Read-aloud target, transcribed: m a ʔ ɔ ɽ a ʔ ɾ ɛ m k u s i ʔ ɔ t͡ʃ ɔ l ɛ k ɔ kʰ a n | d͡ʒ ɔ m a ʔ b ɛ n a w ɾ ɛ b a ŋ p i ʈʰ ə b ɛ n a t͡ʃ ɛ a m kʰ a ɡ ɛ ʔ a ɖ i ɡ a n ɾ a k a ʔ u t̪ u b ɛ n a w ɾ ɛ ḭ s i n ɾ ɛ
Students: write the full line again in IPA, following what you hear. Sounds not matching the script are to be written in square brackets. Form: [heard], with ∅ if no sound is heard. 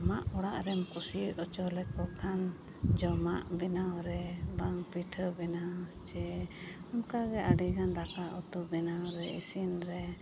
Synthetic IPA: m a ʔ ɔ ɽ a ʔ ɾ ɛ m k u s i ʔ ɔ t͡ʃ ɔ l ɛ k ɔ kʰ a n | d͡ʒ ɔ m a ʔ b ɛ n a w ɾ ɛ b a ŋ p i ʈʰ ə b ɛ n a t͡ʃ ɛ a m [k] a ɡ ɛ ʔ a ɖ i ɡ a n ɾ a k a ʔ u t̪ u b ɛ n a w ɾ ɛ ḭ s i n ɾ ɛ